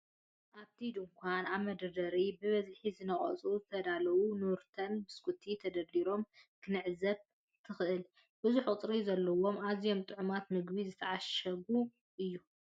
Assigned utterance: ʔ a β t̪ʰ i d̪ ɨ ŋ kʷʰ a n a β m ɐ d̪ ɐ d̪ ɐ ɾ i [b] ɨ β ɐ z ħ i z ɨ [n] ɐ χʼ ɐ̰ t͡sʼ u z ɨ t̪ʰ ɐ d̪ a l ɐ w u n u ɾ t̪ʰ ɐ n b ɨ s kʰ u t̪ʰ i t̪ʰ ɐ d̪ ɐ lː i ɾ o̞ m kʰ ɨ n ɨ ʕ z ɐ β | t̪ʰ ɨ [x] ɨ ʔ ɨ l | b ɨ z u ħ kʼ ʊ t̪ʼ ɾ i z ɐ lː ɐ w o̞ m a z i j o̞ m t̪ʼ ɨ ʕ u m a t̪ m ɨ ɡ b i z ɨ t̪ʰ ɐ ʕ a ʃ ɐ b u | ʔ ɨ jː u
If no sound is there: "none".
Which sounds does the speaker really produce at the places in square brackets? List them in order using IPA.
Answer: b, n, x

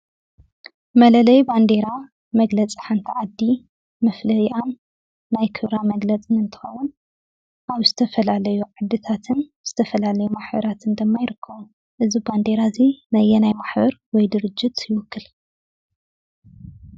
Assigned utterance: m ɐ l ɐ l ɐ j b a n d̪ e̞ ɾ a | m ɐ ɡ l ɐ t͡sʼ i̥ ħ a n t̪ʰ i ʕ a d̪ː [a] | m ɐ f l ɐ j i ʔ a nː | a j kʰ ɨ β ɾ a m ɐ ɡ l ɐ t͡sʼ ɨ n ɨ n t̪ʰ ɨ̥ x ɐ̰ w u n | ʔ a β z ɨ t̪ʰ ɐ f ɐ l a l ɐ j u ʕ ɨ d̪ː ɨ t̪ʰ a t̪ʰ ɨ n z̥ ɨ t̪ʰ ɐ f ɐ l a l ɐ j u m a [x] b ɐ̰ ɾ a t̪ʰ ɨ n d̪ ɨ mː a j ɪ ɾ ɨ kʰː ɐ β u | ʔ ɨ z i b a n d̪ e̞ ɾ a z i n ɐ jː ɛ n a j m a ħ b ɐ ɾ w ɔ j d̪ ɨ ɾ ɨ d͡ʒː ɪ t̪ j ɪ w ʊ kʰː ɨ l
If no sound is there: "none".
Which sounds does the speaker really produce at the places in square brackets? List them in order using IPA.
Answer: i, ħ

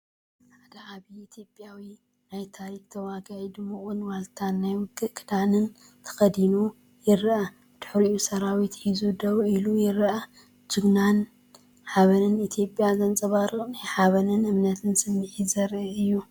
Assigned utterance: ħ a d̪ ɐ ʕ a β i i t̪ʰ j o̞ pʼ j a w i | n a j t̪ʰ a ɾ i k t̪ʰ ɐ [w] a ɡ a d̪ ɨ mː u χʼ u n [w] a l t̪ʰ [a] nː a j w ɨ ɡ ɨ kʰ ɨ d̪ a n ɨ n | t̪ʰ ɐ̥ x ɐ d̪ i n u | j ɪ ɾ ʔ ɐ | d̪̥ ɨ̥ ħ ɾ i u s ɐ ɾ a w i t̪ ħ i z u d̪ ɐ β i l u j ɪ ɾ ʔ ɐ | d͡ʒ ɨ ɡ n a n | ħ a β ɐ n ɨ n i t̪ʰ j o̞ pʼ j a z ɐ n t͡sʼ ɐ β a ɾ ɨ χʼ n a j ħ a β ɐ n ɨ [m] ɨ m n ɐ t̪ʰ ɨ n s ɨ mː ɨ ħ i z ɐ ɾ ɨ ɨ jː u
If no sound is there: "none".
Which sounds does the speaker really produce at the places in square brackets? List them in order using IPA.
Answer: w, w, a, n

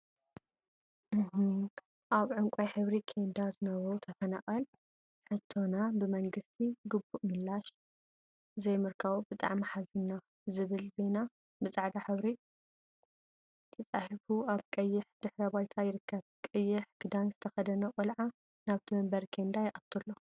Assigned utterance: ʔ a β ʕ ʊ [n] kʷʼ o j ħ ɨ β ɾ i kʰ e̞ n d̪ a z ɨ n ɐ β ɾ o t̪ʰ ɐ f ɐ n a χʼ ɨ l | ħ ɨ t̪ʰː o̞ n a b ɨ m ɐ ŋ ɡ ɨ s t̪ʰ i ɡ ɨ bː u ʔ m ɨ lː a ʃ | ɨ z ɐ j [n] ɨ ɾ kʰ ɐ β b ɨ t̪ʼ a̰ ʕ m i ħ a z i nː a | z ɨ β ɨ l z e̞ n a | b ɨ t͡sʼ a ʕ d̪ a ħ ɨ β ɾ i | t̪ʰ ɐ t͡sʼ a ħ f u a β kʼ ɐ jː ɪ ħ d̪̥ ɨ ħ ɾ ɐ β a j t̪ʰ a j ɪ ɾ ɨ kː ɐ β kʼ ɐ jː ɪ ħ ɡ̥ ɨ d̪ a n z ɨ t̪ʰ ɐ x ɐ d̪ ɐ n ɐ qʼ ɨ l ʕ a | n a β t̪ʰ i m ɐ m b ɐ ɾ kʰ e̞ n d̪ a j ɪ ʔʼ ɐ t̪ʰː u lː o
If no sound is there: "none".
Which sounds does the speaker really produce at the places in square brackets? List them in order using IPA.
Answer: ŋ, m

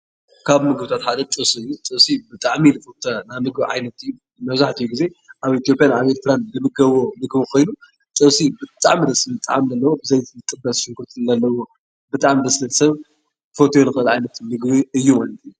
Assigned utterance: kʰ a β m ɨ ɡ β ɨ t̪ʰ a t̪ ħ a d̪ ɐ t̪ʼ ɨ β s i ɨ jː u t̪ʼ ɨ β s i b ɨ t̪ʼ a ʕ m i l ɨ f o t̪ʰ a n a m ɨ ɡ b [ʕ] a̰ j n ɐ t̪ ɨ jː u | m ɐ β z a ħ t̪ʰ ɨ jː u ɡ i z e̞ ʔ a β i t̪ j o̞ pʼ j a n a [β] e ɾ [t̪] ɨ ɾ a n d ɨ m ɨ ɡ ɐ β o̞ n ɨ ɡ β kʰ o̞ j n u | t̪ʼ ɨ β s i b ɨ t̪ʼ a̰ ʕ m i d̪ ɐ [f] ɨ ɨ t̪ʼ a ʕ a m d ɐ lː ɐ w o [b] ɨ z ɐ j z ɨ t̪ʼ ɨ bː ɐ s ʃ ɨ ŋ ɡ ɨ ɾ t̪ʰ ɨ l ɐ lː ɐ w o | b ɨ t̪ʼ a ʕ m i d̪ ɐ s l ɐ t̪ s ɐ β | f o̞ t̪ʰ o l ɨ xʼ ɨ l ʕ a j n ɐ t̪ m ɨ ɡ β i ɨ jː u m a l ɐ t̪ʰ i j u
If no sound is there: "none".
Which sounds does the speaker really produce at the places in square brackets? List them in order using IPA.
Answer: ʕ, β, t̪, s, b

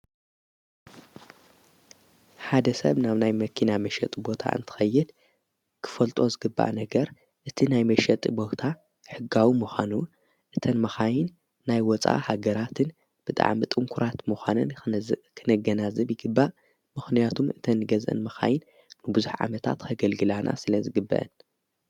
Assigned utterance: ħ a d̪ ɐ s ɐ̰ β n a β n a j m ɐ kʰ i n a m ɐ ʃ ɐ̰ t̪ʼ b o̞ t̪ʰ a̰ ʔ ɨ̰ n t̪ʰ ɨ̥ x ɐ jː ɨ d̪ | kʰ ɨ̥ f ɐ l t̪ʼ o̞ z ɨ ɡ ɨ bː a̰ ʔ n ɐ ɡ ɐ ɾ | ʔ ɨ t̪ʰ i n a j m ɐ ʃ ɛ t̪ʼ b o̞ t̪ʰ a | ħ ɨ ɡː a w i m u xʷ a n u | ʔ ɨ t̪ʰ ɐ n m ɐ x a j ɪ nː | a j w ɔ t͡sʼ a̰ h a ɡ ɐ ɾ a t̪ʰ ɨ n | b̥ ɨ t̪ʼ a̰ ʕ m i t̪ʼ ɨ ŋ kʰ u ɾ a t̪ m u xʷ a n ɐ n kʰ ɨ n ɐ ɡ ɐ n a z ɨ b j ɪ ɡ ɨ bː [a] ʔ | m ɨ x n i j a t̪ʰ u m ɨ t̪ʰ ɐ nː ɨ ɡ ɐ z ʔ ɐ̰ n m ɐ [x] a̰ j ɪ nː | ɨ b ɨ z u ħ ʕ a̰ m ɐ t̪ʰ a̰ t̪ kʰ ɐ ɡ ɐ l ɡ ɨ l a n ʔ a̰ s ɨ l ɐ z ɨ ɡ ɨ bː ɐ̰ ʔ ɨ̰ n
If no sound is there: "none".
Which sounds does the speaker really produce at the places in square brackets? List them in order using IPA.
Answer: a, x

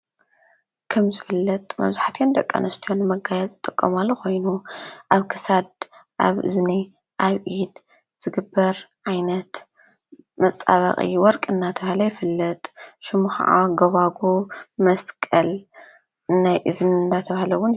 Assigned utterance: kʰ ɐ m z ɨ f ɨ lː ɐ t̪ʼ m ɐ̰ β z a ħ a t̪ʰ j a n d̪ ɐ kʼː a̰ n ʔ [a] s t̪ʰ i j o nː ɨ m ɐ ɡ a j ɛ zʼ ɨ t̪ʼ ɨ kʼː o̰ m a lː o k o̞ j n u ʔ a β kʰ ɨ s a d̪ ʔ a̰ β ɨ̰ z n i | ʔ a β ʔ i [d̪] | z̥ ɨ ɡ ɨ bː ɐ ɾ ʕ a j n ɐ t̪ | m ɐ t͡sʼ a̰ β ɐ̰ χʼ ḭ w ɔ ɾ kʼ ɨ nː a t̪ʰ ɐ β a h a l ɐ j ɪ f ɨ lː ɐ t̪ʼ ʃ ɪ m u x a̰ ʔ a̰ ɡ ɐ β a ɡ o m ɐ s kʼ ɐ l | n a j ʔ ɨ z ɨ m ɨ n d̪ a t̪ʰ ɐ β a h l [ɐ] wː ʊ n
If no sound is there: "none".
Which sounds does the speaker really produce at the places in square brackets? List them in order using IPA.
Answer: ɐ, d̪, ɐ

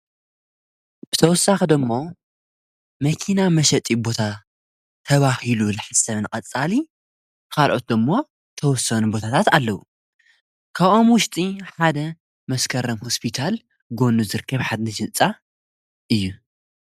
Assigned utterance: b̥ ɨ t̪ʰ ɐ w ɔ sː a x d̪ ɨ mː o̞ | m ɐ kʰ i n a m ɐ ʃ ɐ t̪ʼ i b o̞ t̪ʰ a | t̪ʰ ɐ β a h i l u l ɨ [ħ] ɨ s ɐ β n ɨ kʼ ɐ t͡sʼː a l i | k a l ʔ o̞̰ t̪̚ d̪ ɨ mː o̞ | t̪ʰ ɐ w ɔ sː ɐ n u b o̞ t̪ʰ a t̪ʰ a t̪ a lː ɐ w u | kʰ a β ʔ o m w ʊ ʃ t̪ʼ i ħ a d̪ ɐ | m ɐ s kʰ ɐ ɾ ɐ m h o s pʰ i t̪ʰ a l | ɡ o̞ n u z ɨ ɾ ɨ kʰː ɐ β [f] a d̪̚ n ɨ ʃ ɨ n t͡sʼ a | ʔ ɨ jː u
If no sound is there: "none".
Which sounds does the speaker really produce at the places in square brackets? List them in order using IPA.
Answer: ħ, ħ

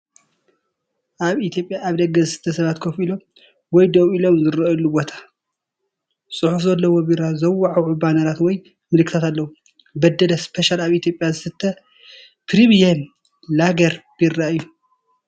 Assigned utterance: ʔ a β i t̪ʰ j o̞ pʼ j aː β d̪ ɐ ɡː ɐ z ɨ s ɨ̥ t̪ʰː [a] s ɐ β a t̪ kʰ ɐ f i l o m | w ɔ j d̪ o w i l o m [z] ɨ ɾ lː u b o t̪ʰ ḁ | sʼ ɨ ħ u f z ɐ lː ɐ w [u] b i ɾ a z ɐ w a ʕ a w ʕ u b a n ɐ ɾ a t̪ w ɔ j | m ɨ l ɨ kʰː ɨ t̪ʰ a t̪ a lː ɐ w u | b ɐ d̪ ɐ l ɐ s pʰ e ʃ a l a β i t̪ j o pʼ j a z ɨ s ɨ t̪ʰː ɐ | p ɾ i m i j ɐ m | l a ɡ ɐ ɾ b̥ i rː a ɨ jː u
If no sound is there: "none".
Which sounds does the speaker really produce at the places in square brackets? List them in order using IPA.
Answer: ɐ, z, o

